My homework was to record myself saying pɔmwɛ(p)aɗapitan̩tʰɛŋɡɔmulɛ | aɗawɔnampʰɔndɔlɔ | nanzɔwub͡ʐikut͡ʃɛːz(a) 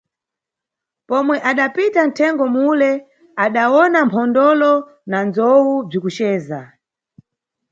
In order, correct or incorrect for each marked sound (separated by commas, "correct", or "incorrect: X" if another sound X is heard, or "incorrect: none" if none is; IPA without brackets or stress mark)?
incorrect: ʔ, correct